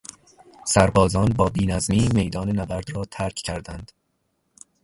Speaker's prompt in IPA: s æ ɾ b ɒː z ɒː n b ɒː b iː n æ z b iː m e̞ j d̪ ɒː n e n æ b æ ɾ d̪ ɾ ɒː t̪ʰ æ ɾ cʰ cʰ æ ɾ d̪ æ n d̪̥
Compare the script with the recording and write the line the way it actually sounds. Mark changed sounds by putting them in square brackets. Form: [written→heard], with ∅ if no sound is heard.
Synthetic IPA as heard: s æ ɾ b ɒː z ɒː n b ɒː b iː n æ z [b→m] iː m e̞ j d̪ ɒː n e n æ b æ ɾ d̪ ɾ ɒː t̪ʰ æ ɾ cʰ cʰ æ ɾ d̪ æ n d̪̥